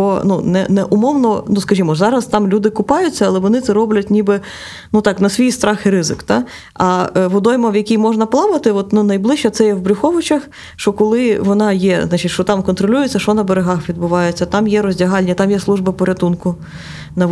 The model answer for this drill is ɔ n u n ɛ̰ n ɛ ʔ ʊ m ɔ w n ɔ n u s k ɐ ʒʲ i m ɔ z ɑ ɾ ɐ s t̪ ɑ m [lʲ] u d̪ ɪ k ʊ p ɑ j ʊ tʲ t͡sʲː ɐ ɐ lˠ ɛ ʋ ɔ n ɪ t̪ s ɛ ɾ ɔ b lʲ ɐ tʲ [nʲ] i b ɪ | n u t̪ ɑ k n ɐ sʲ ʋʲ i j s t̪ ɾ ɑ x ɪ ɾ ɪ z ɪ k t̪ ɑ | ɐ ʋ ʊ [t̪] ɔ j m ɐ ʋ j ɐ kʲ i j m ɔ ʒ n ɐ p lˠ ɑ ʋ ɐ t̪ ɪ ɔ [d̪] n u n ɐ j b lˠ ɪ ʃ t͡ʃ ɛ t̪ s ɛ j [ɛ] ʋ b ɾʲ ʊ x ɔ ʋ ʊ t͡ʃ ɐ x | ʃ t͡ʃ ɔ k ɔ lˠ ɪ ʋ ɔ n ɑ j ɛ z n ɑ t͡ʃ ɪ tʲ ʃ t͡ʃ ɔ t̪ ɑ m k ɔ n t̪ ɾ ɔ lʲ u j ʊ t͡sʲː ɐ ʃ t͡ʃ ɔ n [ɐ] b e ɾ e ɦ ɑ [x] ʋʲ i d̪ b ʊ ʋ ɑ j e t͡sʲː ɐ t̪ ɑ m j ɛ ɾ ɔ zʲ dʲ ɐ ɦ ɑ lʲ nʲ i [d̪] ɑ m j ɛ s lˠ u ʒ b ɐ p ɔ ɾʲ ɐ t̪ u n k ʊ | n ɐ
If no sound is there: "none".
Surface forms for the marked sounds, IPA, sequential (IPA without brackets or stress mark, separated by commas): lʲ, nʲ, d̪, t̪, ɛ, ɐ, x, t̪